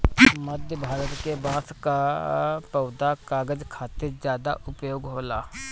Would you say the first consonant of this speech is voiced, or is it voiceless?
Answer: voiced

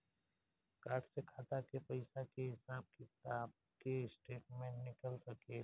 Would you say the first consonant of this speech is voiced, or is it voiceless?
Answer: voiceless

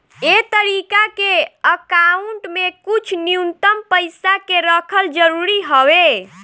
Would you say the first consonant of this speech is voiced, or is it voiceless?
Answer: voiceless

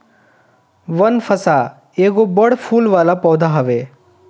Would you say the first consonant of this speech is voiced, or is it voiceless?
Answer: voiced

